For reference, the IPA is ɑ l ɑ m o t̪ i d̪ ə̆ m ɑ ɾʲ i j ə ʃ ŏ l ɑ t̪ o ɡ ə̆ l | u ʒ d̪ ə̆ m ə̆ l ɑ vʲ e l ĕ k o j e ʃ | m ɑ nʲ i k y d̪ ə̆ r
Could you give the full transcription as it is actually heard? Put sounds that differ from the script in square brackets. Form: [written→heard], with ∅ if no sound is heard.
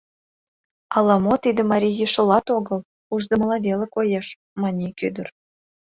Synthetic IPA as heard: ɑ l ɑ m o t̪ i d̪ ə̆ m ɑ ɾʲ i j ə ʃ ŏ l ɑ t̪ o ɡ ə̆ l | u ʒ d̪ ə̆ m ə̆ l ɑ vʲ e l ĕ k o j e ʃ | m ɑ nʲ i k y d̪ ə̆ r